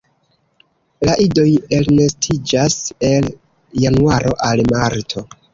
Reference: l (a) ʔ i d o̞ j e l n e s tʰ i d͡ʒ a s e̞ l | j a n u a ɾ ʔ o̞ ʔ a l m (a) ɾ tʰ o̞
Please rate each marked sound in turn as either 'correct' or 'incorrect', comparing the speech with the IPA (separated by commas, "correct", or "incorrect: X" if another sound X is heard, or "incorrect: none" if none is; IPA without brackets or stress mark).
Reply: correct, correct